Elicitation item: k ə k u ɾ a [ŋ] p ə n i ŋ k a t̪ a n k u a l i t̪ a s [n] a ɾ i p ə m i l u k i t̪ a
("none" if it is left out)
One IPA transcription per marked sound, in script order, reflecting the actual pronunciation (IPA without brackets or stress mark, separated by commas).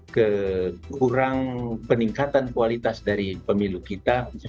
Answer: ŋ, d